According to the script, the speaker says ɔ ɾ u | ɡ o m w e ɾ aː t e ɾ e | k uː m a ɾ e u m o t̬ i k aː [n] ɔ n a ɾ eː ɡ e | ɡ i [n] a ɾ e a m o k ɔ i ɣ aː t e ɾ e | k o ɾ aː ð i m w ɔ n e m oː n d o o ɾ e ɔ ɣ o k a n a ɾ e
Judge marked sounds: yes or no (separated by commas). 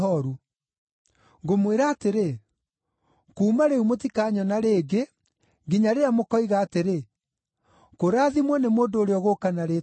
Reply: no, no